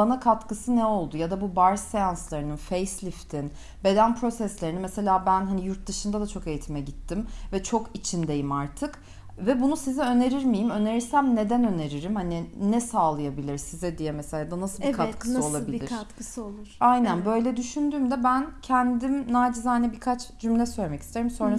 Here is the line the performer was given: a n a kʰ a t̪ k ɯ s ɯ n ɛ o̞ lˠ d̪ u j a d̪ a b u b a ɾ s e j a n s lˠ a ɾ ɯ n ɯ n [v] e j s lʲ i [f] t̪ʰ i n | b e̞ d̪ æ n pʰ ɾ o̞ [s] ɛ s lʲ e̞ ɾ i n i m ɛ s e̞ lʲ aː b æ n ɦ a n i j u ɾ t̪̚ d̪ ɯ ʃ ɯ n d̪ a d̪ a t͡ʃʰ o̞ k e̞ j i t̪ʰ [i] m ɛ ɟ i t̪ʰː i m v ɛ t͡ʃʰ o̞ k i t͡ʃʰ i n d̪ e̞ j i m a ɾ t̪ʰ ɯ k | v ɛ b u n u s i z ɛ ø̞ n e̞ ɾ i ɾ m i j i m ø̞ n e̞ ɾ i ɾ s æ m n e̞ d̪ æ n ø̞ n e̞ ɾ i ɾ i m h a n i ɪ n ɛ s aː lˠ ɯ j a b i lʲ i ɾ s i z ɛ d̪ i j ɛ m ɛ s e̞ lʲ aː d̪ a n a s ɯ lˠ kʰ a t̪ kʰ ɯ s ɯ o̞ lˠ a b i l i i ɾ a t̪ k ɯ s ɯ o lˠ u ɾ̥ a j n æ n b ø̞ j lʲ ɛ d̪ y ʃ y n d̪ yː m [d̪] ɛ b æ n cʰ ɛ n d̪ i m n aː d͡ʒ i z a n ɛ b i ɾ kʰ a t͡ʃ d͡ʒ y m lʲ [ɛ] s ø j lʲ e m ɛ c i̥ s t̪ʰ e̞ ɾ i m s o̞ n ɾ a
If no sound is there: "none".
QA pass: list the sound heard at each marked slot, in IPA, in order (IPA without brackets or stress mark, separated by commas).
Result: f, f, s, i, d̪, ɛ